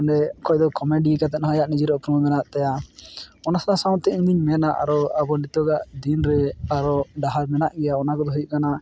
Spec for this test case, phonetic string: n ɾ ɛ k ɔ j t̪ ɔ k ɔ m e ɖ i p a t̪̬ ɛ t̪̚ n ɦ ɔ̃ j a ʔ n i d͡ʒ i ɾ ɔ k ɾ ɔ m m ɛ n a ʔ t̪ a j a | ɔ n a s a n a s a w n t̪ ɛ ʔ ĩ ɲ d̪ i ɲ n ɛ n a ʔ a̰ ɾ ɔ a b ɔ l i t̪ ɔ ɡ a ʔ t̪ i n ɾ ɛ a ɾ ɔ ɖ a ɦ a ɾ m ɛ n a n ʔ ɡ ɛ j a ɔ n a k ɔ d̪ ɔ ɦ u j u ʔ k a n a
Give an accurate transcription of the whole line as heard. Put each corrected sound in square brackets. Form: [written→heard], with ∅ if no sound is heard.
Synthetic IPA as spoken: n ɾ ɛ k ɔ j [t̪→d̪] ɔ k ɔ m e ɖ i [p→k] a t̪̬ ɛ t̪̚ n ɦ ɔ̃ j a ʔ n i d͡ʒ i ɾ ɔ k ɾ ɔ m m ɛ n a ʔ t̪ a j a | ɔ n a s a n a s a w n t̪ ɛ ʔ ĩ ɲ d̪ i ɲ [n→m] ɛ n a ʔ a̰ ɾ ɔ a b ɔ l i t̪ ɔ ɡ a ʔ [t̪→d̪] i n ɾ ɛ a ɾ ɔ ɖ a ɦ a ɾ m ɛ n a [n→∅] ʔ ɡ ɛ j a ɔ n a k ɔ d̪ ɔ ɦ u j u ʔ k a n a